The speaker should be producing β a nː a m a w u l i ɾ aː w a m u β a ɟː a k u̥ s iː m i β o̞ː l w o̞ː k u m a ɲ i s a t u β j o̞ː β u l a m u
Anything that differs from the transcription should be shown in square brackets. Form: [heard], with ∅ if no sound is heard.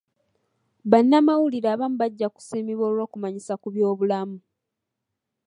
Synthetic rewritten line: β a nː a m a w u l i ɾ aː [β] a m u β a ɟː a k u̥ s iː m i β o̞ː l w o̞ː k u m a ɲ i s a [k] u β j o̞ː β u l a m u